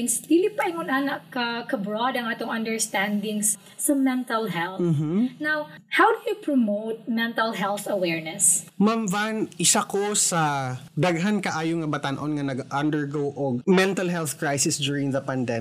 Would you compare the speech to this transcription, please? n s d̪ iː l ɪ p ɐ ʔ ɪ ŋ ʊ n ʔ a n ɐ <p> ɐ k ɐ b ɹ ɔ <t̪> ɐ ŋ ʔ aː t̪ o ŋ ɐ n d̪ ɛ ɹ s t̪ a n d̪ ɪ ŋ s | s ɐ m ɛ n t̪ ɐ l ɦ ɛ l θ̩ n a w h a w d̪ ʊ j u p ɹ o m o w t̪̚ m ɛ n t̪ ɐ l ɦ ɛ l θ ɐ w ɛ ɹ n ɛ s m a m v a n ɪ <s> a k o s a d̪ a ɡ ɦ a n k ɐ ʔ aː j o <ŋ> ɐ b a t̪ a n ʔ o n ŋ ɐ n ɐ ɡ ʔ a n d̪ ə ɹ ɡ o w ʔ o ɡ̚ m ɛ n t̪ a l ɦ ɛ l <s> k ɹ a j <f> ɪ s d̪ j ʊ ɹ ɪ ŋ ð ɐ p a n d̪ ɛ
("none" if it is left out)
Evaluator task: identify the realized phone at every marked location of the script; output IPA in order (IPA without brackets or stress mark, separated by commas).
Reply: k, d̪, s, ŋ, θ, s